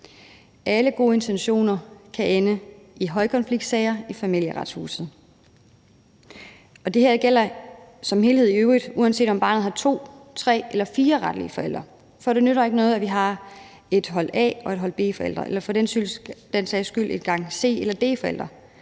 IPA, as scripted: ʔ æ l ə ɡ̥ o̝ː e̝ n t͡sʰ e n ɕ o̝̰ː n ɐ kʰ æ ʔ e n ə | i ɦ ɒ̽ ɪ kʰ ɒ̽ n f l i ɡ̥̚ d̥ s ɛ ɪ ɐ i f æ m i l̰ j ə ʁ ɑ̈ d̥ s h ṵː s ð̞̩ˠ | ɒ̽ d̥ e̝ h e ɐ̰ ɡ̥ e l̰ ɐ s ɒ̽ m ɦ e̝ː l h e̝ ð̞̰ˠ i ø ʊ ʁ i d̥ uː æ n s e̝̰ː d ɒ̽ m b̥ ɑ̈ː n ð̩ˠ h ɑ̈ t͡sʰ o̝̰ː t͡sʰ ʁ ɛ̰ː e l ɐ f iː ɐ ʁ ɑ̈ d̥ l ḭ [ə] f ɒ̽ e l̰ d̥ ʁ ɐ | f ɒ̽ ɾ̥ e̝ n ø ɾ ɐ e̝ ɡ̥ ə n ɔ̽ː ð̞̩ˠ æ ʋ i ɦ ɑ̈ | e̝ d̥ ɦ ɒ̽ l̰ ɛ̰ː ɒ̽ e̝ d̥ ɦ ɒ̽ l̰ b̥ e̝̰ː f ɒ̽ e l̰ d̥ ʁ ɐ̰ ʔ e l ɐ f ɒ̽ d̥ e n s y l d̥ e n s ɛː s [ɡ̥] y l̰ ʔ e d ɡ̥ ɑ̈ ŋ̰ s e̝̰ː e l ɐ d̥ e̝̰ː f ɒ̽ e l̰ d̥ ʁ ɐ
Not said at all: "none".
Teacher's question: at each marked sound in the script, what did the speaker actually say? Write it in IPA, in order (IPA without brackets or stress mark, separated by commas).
ə, ɡ̥